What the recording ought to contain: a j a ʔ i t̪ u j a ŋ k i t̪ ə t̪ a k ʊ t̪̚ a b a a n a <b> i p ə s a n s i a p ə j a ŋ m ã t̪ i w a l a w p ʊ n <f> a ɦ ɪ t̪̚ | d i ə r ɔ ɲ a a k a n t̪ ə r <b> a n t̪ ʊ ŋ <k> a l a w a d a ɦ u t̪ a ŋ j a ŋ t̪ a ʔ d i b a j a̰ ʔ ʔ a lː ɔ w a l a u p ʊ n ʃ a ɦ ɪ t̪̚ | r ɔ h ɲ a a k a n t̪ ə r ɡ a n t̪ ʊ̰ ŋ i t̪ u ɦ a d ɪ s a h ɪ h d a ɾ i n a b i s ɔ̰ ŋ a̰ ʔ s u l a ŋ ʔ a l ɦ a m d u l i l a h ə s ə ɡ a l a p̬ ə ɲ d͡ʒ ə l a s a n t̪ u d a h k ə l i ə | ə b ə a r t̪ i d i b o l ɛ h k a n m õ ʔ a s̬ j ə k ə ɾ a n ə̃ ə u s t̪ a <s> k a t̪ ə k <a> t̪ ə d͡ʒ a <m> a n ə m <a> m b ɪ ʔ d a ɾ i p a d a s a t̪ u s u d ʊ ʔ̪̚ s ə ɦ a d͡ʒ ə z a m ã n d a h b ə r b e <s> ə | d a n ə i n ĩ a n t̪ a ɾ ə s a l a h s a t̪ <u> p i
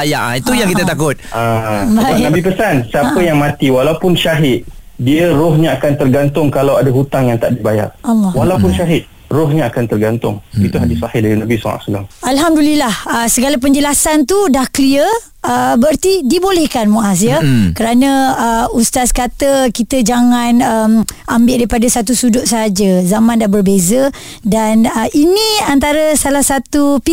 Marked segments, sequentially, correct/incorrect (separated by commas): correct, incorrect, incorrect, correct, correct, incorrect, incorrect, correct, incorrect, correct